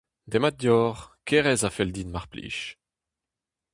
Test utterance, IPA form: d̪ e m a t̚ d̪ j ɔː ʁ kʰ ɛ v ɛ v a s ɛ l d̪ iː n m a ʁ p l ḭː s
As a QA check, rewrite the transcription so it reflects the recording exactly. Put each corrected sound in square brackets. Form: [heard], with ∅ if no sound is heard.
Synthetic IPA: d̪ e m a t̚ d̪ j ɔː ʁ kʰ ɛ [ʁ] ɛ [z] a [f] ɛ l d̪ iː n m a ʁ p l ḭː [ʃ]